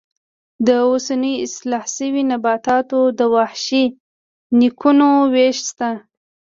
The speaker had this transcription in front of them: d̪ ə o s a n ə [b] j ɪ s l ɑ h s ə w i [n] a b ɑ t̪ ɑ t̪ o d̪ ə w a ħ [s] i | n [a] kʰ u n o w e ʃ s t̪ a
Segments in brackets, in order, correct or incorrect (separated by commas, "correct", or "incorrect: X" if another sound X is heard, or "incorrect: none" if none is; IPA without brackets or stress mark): incorrect: none, correct, incorrect: ʃ, incorrect: i